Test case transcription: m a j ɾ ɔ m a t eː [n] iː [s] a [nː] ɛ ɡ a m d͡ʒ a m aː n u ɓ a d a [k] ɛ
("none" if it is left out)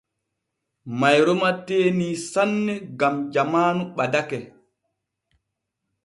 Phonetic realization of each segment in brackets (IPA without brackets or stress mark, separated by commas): n, s, nː, k